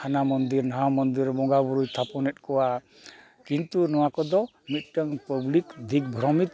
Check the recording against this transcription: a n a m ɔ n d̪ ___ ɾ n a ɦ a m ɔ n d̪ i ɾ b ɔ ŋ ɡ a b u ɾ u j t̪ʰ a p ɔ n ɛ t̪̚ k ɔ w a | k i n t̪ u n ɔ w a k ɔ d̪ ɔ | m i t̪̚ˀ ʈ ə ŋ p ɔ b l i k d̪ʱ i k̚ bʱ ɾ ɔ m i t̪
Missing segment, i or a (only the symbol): i